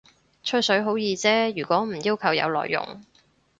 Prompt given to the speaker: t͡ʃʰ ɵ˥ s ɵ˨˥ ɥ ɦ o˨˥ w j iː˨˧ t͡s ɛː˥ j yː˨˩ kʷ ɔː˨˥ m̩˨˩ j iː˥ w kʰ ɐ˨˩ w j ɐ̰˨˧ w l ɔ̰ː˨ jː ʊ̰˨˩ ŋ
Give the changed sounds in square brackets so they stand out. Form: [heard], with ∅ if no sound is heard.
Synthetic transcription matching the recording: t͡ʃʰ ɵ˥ s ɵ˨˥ ɥ ɦ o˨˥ w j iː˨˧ t͡s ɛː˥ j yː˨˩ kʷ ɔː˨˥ m̩˨˩ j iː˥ w kʰ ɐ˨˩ w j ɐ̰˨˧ w l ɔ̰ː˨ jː ʊ̰˨˩ ŋ